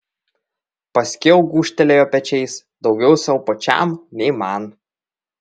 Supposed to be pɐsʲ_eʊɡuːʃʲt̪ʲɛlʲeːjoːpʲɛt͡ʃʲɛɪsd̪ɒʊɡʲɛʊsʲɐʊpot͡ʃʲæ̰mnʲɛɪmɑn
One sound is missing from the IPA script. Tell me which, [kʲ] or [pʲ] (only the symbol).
kʲ